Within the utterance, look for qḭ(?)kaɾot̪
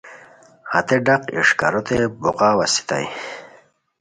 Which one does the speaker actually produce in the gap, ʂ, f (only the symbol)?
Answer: ʂ